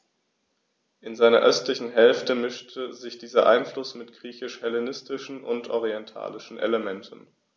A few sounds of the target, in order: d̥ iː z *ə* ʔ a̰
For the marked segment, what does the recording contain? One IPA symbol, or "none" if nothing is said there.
ɐ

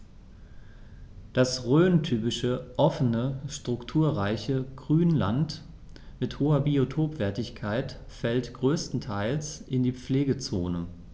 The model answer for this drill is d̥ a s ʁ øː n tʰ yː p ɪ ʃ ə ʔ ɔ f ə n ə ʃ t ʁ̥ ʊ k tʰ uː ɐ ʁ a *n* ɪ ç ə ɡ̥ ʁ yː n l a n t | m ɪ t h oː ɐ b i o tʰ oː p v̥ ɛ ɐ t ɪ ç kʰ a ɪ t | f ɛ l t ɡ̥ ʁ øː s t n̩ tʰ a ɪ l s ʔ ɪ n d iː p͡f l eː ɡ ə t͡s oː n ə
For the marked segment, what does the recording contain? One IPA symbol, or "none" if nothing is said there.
none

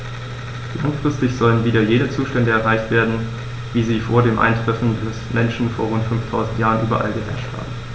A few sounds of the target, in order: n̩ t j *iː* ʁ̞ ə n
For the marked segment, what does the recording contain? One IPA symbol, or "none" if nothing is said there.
aː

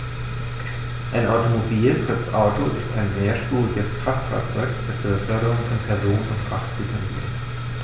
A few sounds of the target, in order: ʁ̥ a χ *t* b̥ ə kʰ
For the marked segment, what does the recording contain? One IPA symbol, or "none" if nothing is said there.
t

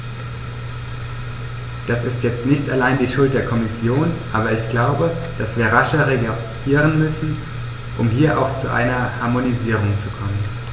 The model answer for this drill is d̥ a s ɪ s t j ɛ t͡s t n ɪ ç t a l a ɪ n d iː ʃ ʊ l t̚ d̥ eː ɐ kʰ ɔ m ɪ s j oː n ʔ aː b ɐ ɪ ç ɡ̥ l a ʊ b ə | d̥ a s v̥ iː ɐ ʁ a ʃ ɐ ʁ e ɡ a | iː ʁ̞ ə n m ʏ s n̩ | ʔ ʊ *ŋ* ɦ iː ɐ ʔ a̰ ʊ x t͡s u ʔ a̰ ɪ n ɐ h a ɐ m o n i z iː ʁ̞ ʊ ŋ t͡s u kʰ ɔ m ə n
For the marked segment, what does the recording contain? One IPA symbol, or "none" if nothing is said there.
m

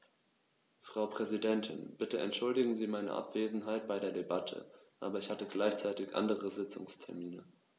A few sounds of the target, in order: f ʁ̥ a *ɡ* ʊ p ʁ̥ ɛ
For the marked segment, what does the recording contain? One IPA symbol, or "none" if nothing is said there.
none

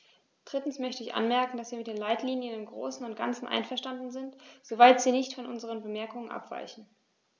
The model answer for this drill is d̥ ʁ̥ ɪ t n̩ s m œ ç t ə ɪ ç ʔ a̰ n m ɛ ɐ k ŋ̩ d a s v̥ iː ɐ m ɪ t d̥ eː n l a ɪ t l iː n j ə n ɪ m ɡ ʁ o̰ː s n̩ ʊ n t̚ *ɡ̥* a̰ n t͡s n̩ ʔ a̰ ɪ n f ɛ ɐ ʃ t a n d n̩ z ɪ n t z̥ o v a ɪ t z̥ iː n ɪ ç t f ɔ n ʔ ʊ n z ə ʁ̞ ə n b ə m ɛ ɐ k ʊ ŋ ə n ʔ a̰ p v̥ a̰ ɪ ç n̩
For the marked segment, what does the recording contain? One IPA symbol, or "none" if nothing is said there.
ɡ̥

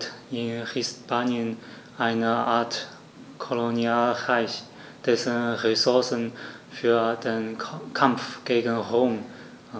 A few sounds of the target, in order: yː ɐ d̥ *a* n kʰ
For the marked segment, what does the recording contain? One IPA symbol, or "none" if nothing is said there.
e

